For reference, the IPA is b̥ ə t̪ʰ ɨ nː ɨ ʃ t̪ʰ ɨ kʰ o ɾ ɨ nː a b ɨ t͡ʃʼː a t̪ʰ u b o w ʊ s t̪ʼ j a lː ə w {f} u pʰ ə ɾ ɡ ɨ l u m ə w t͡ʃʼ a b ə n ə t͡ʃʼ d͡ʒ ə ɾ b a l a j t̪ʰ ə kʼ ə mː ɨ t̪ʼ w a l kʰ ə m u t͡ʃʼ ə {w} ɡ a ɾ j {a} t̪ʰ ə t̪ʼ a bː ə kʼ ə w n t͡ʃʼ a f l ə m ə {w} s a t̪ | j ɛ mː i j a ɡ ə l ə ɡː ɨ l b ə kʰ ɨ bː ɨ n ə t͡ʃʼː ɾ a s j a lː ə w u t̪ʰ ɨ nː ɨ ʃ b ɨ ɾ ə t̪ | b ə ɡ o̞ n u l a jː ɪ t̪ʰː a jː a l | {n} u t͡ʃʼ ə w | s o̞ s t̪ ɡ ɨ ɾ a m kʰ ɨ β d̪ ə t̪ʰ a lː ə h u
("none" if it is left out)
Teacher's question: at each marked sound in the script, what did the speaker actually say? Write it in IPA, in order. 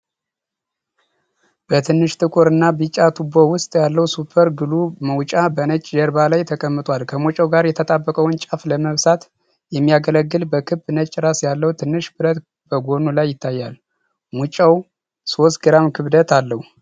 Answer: s, w, ɛ, β, m

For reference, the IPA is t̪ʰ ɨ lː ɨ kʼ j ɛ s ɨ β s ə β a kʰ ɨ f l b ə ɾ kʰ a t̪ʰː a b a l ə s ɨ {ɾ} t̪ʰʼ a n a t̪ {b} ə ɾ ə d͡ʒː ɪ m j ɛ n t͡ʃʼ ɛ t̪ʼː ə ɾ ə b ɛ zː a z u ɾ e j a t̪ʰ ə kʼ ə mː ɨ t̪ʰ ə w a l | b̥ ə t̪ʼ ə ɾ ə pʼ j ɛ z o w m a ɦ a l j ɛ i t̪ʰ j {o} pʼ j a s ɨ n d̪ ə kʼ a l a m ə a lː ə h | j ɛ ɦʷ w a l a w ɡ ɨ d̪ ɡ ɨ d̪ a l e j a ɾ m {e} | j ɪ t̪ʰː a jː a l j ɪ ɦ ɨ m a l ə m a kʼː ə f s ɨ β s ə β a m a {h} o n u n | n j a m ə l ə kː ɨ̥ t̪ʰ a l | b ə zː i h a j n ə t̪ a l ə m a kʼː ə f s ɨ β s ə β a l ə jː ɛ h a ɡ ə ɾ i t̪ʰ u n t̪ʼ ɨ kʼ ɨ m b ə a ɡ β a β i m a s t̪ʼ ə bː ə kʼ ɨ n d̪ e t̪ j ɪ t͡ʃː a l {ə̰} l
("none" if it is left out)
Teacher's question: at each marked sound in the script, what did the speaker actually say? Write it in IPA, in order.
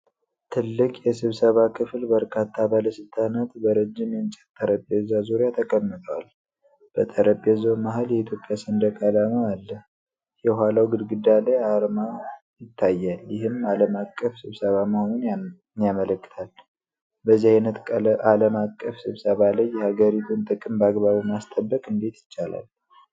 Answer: l, b, o, a, h, a̰

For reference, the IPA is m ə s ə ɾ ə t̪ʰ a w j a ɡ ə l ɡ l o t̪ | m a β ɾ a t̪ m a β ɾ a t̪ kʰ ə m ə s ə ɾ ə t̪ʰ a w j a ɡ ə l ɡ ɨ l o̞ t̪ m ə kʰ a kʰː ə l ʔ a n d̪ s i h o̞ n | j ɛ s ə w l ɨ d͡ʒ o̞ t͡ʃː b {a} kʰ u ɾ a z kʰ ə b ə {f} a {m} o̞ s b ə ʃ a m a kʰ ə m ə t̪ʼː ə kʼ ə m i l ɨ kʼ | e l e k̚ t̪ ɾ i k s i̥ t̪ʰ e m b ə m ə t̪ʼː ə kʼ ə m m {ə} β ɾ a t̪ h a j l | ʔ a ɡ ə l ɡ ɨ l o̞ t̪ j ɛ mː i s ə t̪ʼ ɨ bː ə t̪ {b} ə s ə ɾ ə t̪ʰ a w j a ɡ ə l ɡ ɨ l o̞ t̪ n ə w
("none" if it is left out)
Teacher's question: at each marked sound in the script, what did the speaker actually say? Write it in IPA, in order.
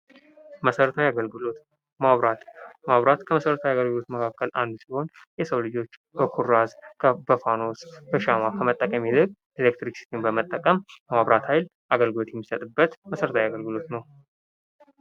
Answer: ə, f, n, a, m

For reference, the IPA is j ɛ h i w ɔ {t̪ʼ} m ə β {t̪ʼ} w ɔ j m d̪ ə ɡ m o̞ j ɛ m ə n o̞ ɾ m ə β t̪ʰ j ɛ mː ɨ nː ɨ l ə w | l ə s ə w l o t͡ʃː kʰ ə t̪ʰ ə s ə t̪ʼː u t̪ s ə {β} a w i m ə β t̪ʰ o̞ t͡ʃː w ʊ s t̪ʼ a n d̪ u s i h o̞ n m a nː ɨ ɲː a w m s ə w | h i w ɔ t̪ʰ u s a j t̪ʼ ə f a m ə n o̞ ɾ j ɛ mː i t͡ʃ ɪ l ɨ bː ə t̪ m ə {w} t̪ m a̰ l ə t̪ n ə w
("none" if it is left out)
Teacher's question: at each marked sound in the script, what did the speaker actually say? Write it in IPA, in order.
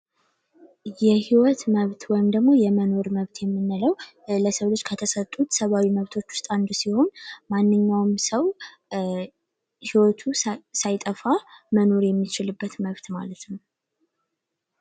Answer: t̪, t̪, β, β

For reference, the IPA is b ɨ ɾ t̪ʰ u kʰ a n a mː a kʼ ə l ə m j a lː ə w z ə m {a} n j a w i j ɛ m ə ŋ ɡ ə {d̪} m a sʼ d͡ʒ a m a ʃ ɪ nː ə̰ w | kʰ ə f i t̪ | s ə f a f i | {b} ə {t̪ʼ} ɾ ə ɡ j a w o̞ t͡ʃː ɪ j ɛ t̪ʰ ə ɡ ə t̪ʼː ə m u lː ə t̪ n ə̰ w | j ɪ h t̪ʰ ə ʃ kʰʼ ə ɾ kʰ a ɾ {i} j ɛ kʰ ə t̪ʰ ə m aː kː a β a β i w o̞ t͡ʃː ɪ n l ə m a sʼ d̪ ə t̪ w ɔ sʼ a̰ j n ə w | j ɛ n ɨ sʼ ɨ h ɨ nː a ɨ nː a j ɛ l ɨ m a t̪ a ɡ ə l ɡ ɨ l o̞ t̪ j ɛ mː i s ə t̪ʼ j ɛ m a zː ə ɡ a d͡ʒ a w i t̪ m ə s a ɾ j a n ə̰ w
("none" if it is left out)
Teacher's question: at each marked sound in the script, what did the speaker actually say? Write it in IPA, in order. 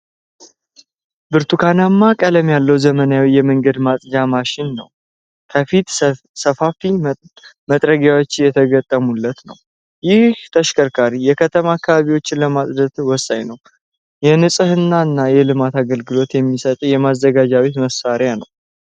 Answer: ə, d̪, m, t̪ʼ, i

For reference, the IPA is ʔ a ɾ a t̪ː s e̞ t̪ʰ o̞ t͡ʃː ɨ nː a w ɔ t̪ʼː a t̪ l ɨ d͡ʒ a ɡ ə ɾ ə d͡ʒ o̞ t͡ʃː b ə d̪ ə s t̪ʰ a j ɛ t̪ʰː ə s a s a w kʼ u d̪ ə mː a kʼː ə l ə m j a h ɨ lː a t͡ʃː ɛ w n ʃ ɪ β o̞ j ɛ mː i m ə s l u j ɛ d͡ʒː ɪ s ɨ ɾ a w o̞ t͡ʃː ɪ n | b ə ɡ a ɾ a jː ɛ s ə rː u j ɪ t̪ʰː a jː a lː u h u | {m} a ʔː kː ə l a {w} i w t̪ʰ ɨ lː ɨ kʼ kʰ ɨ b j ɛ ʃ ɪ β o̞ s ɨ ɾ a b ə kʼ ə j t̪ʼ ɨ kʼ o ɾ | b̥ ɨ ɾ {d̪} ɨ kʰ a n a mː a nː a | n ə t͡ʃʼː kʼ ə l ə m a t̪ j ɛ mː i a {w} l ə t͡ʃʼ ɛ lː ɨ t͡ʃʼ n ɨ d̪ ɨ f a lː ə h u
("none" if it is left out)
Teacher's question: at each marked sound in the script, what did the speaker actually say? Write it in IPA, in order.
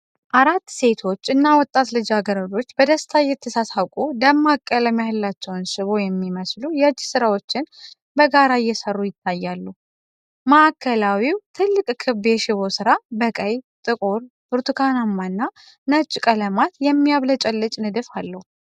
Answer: m, w, t̪, β

